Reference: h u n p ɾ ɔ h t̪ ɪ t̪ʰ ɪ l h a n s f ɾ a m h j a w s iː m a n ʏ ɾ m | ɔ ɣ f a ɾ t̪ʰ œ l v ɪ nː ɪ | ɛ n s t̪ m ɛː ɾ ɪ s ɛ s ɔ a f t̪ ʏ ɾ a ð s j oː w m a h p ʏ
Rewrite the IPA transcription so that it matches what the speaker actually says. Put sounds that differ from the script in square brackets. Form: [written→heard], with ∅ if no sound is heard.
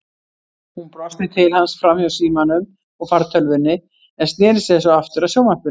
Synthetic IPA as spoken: h u n p ɾ ɔ [h→s] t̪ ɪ t̪ʰ ɪ l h a n s f ɾ a m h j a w s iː m a n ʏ [ɾ→∅] m | ɔ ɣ f a ɾ t̪ʰ œ l v ɪ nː ɪ | ɛ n s t̪ [m→n] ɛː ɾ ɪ s ɛ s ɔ a f t̪ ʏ ɾ a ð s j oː w m a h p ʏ